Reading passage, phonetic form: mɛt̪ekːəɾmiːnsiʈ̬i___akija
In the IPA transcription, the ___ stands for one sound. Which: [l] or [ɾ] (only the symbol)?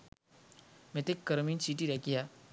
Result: ɾ